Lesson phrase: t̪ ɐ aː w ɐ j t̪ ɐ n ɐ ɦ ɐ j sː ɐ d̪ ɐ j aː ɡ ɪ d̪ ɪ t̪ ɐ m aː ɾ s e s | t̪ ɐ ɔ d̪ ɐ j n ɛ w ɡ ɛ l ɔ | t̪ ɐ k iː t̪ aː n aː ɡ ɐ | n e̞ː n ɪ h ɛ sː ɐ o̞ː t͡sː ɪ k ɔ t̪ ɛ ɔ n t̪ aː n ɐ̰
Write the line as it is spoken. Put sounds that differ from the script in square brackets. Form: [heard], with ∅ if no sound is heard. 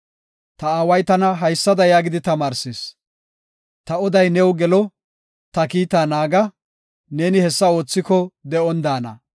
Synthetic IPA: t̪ ɐ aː w ɐ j t̪ ɐ n ɐ ɦ ɐ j sː ɐ d̪ ɐ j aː ɡ ɪ d̪ ɪ t̪ ɐ m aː ɾ s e s | t̪ ɐ ɔ d̪ ɐ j n ɛ w ɡ ɛ l ɔ | t̪ ɐ k iː t̪ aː n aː ɡ ɐ | n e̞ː n ɪ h ɛ sː ɐ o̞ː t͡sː ɪ k ɔ [d̪] ɛ ɔ n [d̪] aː n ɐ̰